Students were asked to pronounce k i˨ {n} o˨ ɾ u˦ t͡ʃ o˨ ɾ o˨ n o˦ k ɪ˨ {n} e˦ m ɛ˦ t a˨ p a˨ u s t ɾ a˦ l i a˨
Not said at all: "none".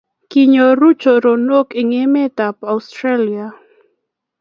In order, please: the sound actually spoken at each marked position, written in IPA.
ɲ, ŋ

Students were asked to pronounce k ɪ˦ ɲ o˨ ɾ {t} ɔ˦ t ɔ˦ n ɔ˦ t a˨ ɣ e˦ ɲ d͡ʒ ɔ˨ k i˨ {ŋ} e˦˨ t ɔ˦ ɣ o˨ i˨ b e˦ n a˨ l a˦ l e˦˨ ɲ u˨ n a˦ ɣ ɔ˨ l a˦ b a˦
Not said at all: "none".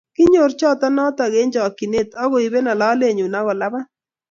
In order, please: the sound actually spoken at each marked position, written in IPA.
t͡ʃ, n

